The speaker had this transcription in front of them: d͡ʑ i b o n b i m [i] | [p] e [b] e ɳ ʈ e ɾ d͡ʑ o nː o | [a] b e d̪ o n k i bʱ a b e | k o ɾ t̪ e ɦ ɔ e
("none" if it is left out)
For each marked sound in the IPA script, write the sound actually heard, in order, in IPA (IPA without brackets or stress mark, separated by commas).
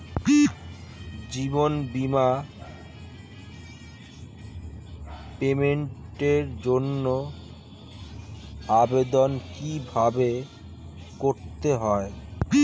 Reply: a, p, m, a